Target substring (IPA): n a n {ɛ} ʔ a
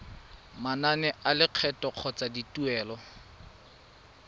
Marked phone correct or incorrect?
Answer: correct